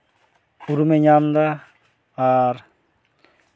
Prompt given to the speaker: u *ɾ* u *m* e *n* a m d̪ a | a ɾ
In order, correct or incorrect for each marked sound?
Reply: correct, correct, incorrect

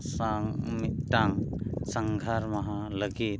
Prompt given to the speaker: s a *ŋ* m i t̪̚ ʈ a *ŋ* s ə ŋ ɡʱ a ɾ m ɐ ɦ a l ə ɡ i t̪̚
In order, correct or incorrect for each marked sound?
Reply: correct, correct

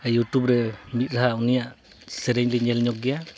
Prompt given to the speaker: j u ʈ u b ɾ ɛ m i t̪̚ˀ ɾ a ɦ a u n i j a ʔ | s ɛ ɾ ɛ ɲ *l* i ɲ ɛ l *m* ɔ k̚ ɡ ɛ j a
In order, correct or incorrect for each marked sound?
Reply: correct, incorrect

